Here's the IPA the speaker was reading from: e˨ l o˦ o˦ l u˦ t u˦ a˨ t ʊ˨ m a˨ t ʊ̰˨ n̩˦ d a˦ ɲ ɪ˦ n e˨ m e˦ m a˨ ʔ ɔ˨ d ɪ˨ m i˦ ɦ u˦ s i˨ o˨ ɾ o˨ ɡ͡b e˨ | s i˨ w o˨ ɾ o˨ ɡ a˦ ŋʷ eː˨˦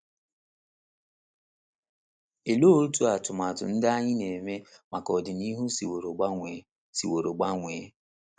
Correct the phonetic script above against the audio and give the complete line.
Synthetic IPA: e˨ l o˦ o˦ ɾ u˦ t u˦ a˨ t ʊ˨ m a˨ t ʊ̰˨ n̩˦ d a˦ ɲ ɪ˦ n e˨ m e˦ m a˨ k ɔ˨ d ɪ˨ n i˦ ɦ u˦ s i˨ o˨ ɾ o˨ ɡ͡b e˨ | s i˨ w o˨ ɾ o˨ ɡ͡b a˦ ŋʷ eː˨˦

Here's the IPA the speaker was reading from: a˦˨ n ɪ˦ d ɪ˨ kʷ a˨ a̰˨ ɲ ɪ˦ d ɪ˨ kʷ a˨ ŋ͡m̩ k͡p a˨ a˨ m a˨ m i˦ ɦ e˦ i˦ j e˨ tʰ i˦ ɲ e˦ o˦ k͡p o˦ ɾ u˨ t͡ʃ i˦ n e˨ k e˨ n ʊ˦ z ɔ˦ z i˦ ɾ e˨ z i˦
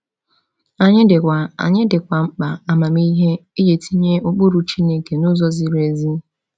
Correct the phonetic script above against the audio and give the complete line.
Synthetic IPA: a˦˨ ɲ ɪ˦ d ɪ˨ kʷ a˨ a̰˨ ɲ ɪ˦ d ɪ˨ kʷ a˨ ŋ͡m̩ k͡p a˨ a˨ m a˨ m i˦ ɦ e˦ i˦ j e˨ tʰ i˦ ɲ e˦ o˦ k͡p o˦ ɾ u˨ t͡ʃ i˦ n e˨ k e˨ n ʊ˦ z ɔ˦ z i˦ ɾ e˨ z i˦

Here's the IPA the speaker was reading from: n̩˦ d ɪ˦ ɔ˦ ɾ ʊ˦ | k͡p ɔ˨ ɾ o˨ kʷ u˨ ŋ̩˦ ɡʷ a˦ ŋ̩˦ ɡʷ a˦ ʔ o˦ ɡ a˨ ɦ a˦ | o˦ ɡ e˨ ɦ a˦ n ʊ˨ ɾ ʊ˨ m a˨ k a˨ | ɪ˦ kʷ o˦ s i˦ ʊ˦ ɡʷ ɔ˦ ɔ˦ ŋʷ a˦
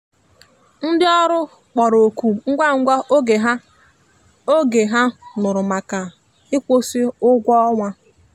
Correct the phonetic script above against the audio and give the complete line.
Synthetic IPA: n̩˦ d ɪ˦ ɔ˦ ɾ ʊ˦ | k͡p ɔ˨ ɾ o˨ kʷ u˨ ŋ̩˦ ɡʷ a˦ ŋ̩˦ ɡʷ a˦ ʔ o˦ ɡ e˨ ɦ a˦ | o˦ ɡ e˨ ɦ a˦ n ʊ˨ ɾ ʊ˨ m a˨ k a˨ | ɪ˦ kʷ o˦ s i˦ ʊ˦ ɡʷ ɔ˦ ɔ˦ ŋʷ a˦

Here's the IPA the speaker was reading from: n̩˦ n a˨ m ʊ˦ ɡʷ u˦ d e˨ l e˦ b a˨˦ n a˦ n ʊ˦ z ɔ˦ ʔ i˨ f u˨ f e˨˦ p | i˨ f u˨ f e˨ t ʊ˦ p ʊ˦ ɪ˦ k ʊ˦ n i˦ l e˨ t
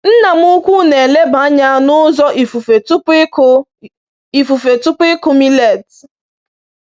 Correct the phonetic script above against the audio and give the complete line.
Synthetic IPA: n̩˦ n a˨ m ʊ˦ kʷ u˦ n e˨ l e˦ b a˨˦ ɲ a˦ n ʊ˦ z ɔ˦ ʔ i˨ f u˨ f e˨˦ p | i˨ f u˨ f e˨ t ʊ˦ p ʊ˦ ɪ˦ k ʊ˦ m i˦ l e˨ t

